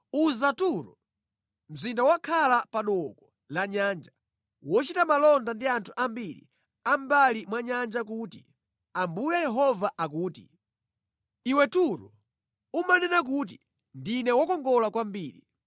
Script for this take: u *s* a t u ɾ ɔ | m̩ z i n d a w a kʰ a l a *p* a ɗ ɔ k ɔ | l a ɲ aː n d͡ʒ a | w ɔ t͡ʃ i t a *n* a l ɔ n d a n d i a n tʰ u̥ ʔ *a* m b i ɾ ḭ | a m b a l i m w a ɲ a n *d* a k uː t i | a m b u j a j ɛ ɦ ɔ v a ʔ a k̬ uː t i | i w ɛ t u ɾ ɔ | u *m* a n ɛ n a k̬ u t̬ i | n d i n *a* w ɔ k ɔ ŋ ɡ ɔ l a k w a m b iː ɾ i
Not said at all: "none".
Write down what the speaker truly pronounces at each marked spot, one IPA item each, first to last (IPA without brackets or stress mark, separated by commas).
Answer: z, p, m, a, d͡ʒ, m, ɛ